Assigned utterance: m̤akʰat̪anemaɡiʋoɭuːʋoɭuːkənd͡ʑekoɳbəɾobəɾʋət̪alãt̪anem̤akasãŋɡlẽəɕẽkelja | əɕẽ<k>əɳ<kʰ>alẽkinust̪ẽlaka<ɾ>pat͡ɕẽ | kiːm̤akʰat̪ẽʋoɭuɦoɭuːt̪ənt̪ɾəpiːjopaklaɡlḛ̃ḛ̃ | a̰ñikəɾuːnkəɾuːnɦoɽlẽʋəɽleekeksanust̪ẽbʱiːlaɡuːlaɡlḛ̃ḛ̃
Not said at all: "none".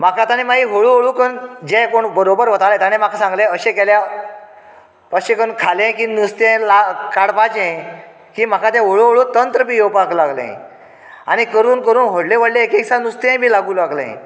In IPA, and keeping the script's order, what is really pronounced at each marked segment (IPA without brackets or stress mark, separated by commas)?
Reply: k, kʰ, ɽ